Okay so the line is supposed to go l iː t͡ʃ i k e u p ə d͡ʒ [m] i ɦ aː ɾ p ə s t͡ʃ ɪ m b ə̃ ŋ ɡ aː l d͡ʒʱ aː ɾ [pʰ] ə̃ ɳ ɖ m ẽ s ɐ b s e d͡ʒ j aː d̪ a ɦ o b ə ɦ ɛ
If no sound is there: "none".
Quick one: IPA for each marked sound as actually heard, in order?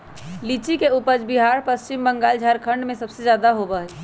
b, kʰ

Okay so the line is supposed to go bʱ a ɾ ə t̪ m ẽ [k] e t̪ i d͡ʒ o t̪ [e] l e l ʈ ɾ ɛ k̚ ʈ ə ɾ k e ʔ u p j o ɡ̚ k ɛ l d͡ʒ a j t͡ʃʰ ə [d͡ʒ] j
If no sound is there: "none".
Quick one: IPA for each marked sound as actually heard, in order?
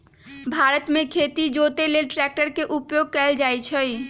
kʰ, e, none

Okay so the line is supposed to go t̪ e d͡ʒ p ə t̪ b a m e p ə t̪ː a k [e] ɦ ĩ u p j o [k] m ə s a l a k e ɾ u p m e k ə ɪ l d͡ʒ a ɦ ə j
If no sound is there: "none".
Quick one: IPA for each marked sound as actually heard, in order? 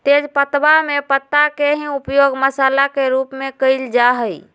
e, ɡ

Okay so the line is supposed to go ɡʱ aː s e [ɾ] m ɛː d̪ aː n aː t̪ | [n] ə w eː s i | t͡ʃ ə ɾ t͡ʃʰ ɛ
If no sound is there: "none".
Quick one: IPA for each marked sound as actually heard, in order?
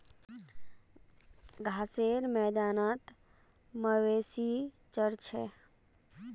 ɾ, m

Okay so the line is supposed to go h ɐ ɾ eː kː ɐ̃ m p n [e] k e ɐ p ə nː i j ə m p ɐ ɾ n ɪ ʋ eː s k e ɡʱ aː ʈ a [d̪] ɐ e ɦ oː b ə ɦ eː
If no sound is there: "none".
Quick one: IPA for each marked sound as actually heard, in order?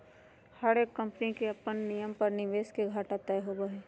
i, t̪

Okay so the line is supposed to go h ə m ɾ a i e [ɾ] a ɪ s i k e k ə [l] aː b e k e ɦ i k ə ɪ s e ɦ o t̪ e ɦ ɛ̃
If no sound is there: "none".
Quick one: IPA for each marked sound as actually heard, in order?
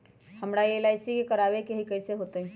l, ɾ

